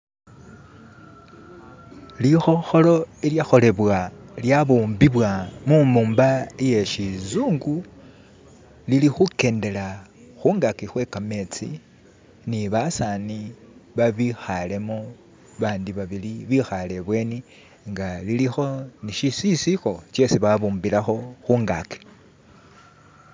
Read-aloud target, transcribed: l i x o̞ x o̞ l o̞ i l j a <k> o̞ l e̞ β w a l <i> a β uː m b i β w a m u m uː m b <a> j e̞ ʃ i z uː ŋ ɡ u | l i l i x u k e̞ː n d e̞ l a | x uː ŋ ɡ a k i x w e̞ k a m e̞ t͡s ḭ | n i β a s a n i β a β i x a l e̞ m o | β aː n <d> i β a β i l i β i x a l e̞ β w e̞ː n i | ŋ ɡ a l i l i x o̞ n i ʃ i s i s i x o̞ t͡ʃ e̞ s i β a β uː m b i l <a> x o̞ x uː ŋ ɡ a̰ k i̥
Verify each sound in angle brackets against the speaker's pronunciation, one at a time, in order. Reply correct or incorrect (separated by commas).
incorrect, incorrect, correct, correct, correct